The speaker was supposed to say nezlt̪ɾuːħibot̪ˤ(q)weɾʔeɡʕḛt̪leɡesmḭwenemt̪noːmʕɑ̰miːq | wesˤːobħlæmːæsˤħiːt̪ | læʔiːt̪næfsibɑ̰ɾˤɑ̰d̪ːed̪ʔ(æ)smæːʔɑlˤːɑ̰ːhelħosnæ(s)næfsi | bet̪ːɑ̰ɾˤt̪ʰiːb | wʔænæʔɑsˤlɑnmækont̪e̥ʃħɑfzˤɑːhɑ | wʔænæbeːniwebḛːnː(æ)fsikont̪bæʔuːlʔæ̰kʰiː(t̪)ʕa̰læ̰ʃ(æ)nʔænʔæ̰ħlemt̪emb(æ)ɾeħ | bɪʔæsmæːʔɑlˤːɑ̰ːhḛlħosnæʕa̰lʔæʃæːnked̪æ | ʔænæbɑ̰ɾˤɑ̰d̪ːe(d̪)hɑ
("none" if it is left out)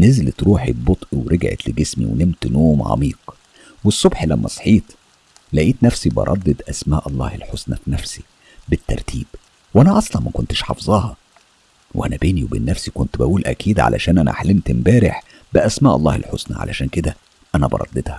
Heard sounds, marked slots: ʔ, æ, f, æ, d̪, æː, æː, d̪

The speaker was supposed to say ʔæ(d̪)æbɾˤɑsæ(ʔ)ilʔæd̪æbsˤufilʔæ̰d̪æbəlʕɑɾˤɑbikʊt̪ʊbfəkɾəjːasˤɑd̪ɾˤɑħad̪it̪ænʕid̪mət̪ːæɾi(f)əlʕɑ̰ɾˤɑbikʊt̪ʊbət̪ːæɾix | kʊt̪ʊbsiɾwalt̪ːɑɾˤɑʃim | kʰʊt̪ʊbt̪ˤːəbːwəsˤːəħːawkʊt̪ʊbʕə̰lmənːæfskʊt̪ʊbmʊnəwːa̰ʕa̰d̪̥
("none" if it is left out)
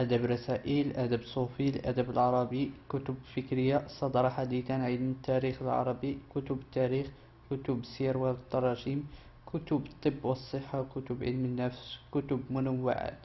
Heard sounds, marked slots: d̪, ʔ, x

